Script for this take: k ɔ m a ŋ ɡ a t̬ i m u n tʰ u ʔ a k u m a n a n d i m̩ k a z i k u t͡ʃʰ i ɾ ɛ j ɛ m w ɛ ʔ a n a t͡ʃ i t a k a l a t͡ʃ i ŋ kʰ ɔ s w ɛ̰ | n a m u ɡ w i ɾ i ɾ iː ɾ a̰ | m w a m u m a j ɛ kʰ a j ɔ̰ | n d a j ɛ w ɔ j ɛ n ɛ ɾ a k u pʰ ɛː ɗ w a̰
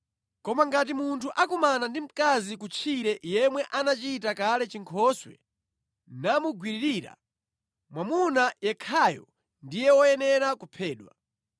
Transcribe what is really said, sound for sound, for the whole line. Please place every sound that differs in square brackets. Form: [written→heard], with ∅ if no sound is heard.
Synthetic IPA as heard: k ɔ m a ŋ ɡ a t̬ i m u n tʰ u ʔ a k u m a n a n d i m̩ k a z i k u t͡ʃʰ i ɾ ɛ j ɛ m w ɛ ʔ a n a t͡ʃ i t a k a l [a→ɛ] t͡ʃ i ŋ kʰ ɔ s w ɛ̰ | n a m u ɡ w i ɾ i ɾ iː ɾ a̰ | m w a m u [m→n] a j ɛ kʰ a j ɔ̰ | n d [a→i] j ɛ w ɔ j ɛ n ɛ ɾ a k u pʰ ɛː ɗ w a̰